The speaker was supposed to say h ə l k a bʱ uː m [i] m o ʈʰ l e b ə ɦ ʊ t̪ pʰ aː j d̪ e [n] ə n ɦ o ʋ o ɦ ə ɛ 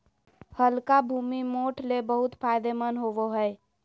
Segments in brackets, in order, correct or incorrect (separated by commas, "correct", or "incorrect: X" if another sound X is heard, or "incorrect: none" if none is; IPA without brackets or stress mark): correct, incorrect: m